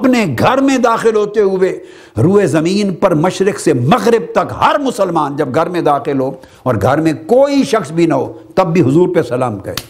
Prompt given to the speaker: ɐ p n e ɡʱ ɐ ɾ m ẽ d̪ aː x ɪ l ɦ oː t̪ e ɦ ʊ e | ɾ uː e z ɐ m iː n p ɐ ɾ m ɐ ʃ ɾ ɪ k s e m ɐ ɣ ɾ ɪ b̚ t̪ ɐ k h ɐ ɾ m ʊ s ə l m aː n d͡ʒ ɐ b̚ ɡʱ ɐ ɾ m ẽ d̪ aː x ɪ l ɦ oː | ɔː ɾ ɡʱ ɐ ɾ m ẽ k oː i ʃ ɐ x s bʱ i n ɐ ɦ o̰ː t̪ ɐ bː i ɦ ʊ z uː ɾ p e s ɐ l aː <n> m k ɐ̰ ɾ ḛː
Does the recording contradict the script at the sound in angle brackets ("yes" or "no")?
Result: yes